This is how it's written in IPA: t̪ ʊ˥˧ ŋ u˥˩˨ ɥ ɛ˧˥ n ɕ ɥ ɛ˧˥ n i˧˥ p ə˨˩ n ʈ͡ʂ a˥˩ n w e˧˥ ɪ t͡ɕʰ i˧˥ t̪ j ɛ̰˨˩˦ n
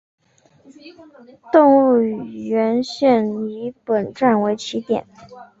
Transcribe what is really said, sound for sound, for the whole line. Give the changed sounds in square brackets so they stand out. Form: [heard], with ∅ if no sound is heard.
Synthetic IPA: t̪ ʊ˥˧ ŋ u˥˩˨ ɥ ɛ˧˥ n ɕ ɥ [ɛ˥˩] n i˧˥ p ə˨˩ n ʈ͡ʂ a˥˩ n w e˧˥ ɪ t͡ɕʰ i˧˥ t̪ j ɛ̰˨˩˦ n